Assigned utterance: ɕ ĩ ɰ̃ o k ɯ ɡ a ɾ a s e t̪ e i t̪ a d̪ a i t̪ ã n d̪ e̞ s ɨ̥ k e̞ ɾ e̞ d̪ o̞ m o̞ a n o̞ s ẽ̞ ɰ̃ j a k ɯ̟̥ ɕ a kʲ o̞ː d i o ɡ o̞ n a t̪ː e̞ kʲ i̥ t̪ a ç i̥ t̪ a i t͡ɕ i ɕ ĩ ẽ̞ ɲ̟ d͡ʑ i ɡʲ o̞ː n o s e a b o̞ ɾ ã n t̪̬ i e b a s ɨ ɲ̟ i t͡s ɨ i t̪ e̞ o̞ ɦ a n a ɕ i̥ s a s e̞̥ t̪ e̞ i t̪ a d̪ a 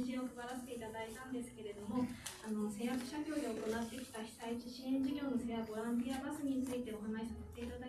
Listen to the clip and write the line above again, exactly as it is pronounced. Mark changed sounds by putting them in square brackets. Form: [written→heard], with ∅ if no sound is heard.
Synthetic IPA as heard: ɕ ĩ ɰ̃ o k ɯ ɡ a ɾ a s e t̪ e i t̪ a d̪ a i t̪ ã n d̪ e̞ s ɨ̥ k e̞ ɾ e̞ d̪ o̞ m o̞ a n o̞ s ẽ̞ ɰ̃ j a k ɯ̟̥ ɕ a kʲ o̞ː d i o [ɡ→k] o̞ n a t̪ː e̞ kʲ i̥ t̪ a ç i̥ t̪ a i t͡ɕ i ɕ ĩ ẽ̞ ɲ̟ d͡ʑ i ɡʲ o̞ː n o s e a b o̞ ɾ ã n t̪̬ i [e→a] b a s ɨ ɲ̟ i t͡s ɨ i t̪ e̞ o̞ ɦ a n a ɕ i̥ s a s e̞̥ t̪ e̞ i t̪ a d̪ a

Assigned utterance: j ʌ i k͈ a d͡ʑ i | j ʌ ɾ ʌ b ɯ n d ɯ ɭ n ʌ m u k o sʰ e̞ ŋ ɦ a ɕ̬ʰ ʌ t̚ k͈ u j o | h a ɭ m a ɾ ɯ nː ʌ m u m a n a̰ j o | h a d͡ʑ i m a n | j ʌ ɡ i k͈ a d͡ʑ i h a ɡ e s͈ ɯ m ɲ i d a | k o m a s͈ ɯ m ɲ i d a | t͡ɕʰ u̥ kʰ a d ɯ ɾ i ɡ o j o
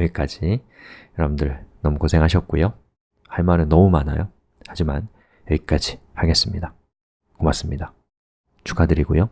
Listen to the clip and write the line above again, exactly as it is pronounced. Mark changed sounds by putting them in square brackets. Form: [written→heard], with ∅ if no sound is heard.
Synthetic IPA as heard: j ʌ i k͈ a d͡ʑ i | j ʌ ɾ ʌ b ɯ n d ɯ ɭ n ʌ m u k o sʰ e̞ ŋ ɦ a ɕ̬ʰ ʌ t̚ k͈ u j o | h a ɭ m a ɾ ɯ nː ʌ m u m a n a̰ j o | h a d͡ʑ i m a n | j ʌ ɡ i k͈ a d͡ʑ i h a ɡ e s͈ ɯ m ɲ i d a | k o m a s͈ ɯ m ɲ i d a | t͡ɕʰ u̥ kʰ a d ɯ ɾ i ɡ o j o

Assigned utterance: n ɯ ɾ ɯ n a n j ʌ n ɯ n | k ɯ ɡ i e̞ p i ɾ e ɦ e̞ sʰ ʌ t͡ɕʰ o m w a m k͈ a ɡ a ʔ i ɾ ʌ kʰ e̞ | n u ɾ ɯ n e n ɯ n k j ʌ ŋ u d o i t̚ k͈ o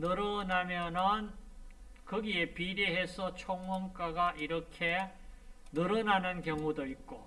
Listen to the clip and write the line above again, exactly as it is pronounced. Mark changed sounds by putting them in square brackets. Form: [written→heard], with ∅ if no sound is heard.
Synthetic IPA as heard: n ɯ ɾ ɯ n a [n→m] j ʌ n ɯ n | k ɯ ɡ i e̞ p i ɾ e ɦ e̞ sʰ ʌ t͡ɕʰ o [m→ŋ] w [a→ʌ] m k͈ a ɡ a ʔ i ɾ ʌ kʰ e̞ | n [u→ɯ] ɾ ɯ n [e→a] n ɯ n k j ʌ ŋ u d o i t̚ k͈ o

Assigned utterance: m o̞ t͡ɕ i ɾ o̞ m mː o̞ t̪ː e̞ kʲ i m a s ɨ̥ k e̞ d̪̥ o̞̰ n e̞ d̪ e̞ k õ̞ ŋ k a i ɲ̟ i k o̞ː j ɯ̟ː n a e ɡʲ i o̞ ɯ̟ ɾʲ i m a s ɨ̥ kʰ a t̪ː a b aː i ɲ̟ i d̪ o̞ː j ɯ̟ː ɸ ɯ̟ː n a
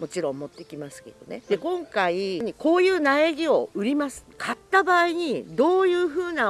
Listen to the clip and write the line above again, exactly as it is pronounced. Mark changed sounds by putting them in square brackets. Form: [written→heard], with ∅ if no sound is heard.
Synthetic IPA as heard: m o̞ t͡ɕ i ɾ [o̞→õ̞] m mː o̞ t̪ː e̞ kʲ i m a s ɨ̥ k e̞ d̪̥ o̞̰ n e̞ d̪ e̞ k õ̞ ŋ k a i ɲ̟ i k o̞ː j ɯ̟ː n a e ɡʲ i o̞ ɯ̟ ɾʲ i m a s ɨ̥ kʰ a t̪ː a b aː i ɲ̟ i d̪ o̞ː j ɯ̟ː ɸ ɯ̟ː n a

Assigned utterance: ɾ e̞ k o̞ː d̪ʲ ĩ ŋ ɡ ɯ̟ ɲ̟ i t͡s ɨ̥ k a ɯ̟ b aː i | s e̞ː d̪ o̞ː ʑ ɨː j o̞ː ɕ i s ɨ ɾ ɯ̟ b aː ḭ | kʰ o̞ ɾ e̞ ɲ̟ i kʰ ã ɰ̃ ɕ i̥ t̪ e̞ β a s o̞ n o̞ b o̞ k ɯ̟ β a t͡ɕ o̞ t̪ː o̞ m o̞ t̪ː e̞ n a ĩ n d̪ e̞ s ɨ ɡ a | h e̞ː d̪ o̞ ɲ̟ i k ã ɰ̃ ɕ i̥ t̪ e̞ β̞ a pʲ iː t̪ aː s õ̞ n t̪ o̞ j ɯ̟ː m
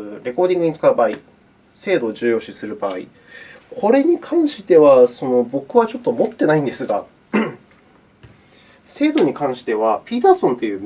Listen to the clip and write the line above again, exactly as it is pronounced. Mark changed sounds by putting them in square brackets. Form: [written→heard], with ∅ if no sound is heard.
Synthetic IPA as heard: ɾ e̞ k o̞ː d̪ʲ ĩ ŋ ɡ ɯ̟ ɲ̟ i t͡s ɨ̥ k a ɯ̟ b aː i | s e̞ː d̪ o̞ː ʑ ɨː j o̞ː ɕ i s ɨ ɾ ɯ̟ b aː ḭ | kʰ o̞ ɾ e̞ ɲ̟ i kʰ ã ɰ̃ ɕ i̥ t̪ e̞ β a s o̞ n o̞ b o̞ k ɯ̟ β a t͡ɕ o̞ t̪ː o̞ m o̞ t̪ː e̞ n a ĩ n d̪ e̞ s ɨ ɡ a | [h→s] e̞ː d̪ o̞ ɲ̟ i k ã ɰ̃ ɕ i̥ t̪ e̞ β̞ a pʲ iː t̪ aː s õ̞ n t̪ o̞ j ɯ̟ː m

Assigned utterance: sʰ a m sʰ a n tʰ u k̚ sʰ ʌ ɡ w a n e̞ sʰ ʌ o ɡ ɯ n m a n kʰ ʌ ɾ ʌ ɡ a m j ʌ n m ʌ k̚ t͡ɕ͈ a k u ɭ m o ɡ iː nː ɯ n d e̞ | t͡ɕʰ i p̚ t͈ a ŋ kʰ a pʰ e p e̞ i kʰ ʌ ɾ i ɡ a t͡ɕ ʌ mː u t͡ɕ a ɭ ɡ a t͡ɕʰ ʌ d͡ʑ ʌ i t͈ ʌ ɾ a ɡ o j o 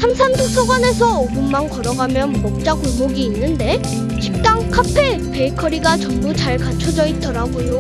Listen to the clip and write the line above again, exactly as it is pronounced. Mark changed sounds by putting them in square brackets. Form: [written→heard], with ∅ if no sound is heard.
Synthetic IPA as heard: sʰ a m sʰ a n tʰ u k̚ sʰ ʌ ɡ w a n e̞ sʰ ʌ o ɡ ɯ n m a n [kʰ→k] ʌ ɾ ʌ ɡ a m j ʌ n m ʌ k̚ t͡ɕ͈ a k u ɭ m o ɡ iː nː ɯ n d e̞ | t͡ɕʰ i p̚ t͈ a ŋ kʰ a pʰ e p e̞ i kʰ ʌ ɾ i ɡ a t͡ɕ ʌ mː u t͡ɕ a ɭ [ɡ→k] a t͡ɕʰ ʌ d͡ʑ ʌ i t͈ ʌ ɾ a ɡ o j o

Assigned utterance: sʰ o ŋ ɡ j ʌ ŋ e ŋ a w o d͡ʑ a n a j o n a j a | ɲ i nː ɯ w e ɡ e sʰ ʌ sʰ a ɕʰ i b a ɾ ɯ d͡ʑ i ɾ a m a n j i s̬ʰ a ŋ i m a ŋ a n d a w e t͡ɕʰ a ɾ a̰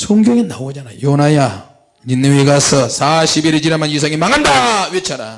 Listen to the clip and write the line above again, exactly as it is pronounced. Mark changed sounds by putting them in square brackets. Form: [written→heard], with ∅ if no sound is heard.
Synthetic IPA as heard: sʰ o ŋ ɡ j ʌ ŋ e [ŋ→n] a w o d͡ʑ a n a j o n a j a | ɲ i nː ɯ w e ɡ [e→a] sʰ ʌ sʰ a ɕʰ i b [a→i] ɾ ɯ d͡ʑ i ɾ a m a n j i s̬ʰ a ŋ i m a ŋ a n d a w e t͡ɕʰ a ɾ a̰

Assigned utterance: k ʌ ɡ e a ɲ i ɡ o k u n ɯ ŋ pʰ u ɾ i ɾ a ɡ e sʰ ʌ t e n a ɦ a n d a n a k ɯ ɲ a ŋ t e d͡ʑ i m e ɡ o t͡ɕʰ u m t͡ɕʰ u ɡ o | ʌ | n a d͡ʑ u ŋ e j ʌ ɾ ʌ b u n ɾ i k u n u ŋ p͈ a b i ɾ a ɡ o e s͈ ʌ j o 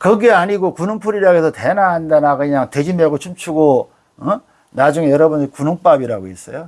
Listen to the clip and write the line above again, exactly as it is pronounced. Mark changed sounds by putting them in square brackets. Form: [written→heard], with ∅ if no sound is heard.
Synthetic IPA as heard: k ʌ ɡ e a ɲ i ɡ o k u n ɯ ŋ pʰ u ɾ i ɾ a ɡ e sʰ ʌ t e n a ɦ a n d a n a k ɯ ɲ a ŋ t e d͡ʑ i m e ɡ o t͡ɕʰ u m t͡ɕʰ u ɡ o | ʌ | n a d͡ʑ u ŋ e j ʌ ɾ ʌ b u n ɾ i k u n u ŋ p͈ a b i ɾ a ɡ o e s͈ ʌ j o

